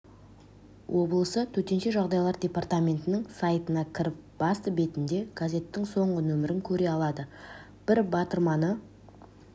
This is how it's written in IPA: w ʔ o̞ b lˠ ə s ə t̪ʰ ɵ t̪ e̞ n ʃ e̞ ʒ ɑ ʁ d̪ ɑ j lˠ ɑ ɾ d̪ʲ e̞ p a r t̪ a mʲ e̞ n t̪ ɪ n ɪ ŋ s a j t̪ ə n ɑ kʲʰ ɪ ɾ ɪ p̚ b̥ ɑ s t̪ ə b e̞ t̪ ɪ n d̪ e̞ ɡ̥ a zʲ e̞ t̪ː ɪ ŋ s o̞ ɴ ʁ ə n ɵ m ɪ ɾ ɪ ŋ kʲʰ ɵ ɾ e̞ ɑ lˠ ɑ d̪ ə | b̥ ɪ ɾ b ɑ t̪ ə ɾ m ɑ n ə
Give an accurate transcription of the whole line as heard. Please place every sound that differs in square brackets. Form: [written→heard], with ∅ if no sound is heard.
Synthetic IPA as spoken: w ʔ o̞ b lˠ ə s ə t̪ʰ ɵ t̪ e̞ n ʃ e̞ ʒ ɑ ʁ d̪ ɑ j lˠ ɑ ɾ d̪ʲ e̞ p a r t̪ a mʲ e̞ n t̪ ɪ n ɪ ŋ s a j t̪ ə n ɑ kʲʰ ɪ ɾ ɪ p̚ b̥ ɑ s t̪ ə b e̞ t̪ ɪ n d̪ e̞ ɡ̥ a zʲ e̞ t̪ː ɪ ŋ s o̞ ɴ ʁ ə n ɵ m ɪ ɾ ɪ ŋ kʲʰ ɵ ɾ e̞ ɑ lˠ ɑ d̪ ə | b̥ ɪ ɾ b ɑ t̪ ə ɾ m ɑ n ə

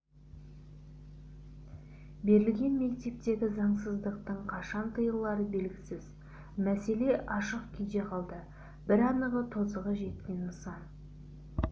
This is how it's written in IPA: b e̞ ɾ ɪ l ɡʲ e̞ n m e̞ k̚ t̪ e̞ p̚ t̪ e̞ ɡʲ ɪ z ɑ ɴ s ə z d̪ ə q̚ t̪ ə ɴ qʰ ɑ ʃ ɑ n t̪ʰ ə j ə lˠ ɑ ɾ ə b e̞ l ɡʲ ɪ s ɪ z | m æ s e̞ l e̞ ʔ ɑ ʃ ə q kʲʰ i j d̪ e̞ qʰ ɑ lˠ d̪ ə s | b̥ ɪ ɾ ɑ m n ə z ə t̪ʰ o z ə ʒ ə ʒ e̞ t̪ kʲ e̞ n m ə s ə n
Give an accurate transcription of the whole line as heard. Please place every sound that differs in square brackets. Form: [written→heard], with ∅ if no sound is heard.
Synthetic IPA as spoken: b e̞ ɾ ɪ l ɡʲ e̞ n m e̞ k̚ t̪ e̞ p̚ t̪ e̞ ɡʲ ɪ z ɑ ɴ s ə z d̪ ə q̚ t̪ ə ɴ qʰ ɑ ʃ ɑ n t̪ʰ ə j ə lˠ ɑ ɾ ə b e̞ l ɡʲ ɪ s ɪ z | m æ s e̞ l e̞ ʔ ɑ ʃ ə q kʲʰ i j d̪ e̞ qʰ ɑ lˠ d̪ ə [s→∅] | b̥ ɪ ɾ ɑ [m→∅] n ə [z→ʁ] ə t̪ʰ o z ə [ʒ→ʁ] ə ʒ e̞ t̪ kʲ e̞ n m ə s [ə→ɑ] n

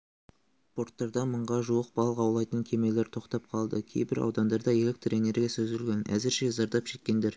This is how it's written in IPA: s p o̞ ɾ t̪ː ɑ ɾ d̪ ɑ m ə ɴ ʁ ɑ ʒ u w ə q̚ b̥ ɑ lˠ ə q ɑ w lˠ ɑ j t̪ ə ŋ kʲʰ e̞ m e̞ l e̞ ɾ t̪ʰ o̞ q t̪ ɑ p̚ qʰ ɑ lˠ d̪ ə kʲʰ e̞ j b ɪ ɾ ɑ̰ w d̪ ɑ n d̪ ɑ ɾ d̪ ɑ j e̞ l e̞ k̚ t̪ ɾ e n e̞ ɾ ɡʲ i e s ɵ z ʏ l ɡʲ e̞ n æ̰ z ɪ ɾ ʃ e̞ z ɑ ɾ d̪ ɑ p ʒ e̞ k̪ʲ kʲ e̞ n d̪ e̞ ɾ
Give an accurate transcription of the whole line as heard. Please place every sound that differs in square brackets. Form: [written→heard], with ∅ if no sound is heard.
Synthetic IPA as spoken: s p o̞ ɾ t̪ː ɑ ɾ d̪ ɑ m ə ɴ ʁ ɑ ʒ u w ə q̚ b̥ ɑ lˠ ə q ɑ w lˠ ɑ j t̪ ə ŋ kʲʰ e̞ m e̞ l e̞ ɾ t̪ʰ o̞ q t̪ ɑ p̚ qʰ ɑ lˠ d̪ ə kʲʰ e̞ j b ɪ ɾ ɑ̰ w d̪ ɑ n d̪ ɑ ɾ d̪ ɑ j e̞ l e̞ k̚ t̪ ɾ e n e̞ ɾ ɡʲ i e s ɵ z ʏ l ɡʲ e̞ n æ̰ z ɪ ɾ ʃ e̞ z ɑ ɾ d̪ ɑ p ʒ e̞ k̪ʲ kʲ e̞ n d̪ e̞ ɾ

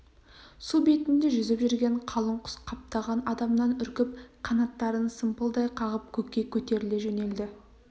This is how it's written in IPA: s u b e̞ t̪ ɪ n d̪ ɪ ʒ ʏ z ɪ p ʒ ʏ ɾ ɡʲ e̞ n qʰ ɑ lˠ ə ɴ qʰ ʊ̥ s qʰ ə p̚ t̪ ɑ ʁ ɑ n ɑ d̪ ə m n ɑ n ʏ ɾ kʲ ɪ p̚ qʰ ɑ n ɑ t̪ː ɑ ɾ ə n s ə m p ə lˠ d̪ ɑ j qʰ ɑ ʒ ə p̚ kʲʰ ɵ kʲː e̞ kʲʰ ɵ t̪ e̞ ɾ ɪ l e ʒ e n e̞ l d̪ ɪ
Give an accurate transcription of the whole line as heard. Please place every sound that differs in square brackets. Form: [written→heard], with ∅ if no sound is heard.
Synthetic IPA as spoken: s u b e̞ t̪ ɪ n d̪ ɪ ʒ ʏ z ɪ p ʒ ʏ ɾ ɡʲ e̞ [n→ɴ] qʰ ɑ lˠ ə ɴ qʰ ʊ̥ s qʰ [ə→ɑ] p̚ t̪ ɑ ʁ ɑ n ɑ d̪ [ə→ɑ] m n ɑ n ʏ ɾ kʲ ɪ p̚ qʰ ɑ n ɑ t̪ː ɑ ɾ ə n s ə m p ə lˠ d̪ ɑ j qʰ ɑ [ʒ→ʁ] ə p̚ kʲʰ ɵ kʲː e̞ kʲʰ ɵ t̪ e̞ ɾ ɪ l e ʒ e n e̞ l d̪ ɪ

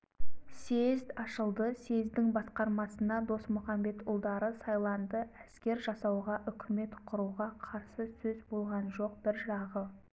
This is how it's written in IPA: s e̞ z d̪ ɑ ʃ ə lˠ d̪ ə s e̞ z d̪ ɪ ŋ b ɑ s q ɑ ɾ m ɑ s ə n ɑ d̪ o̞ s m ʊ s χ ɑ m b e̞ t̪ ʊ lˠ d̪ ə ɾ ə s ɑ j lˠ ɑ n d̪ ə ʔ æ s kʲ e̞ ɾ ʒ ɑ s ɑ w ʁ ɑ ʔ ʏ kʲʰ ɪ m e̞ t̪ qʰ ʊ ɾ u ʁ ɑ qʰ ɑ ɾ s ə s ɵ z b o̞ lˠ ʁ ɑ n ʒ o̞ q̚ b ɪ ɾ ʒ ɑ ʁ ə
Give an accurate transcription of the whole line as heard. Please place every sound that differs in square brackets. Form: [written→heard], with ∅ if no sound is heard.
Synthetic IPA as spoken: s e̞ z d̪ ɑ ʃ ə lˠ d̪ ə s e̞ z d̪ ɪ ŋ b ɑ s q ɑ ɾ m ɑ s ə n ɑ d̪ o̞ s m ʊ [s→∅] χ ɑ m b e̞ t̪ ʊ lˠ d̪ [ə→ɑ] ɾ ə s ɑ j lˠ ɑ n d̪ ə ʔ æ s kʲ e̞ ɾ ʒ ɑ s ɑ w ʁ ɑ ʔ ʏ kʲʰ ɪ m e̞ t̪ qʰ ʊ ɾ u ʁ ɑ qʰ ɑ ɾ s ə s ɵ z b o̞ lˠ ʁ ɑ n ʒ o̞ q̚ b ɪ ɾ ʒ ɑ ʁ ə

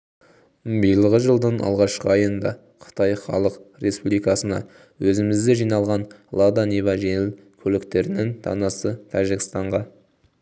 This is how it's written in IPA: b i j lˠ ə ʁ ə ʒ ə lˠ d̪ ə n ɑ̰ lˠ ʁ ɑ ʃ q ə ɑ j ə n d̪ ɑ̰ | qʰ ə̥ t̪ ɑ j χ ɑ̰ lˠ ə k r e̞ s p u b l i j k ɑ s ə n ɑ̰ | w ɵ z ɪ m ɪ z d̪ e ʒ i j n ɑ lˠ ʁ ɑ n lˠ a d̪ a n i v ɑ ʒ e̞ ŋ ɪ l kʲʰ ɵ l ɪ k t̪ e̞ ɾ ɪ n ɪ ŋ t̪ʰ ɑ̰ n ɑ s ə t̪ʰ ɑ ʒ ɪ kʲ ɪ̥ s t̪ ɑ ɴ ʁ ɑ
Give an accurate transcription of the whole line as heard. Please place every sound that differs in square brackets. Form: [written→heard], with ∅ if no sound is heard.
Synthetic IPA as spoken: b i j lˠ ə ʁ ə ʒ ə lˠ d̪ ə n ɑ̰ lˠ ʁ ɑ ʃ q ə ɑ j ə n d̪ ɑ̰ | qʰ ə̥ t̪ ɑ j χ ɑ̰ lˠ ə [k→q] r e̞ s p u b l i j k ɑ s ə n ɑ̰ | w ɵ z ɪ m ɪ z d̪ e ʒ i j n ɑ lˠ ʁ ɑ n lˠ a d̪ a n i v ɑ ʒ e̞ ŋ ɪ l kʲʰ ɵ l ɪ k t̪ e̞ ɾ ɪ n ɪ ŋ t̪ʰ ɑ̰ n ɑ s ə t̪ʰ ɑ ʒ ɪ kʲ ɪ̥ s t̪ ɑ ɴ ʁ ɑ

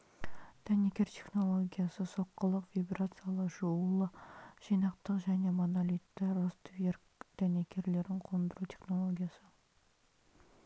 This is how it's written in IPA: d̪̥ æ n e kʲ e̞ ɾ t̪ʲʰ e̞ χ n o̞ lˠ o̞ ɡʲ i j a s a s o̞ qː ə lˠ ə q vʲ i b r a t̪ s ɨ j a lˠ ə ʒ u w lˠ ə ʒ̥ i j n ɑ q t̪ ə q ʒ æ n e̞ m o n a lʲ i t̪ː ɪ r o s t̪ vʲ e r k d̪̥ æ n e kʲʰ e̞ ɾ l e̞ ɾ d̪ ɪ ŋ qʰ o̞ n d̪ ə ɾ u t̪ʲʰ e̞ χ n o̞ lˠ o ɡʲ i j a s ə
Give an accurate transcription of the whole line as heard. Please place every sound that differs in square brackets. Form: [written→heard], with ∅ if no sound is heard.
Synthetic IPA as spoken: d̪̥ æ n e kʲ e̞ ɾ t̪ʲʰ e̞ χ n o̞ lˠ o̞ ɡʲ i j a s [a→ə] s o̞ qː ə lˠ ə q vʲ i b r a t̪ s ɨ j a lˠ ə ʒ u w lˠ ə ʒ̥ i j n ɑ q t̪ ə q ʒ æ n e̞ m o n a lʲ i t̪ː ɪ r o s t̪ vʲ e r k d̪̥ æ n e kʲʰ e̞ ɾ l e̞ ɾ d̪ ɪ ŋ qʰ o̞ n d̪ ə ɾ u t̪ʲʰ e̞ χ n o̞ lˠ o ɡʲ i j a s ə

